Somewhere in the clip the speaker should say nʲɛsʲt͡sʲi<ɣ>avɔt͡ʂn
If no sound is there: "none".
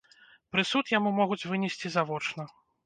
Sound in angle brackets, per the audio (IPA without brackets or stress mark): z